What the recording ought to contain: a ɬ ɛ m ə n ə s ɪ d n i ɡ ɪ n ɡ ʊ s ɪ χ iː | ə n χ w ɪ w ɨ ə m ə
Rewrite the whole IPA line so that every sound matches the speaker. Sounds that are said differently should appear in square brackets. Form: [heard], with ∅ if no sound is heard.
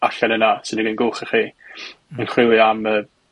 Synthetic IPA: a ɬ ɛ [n] ə n [a] s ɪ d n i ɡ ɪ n ɡ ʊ [χ] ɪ χ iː | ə n χ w ɪ w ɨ [a] m ə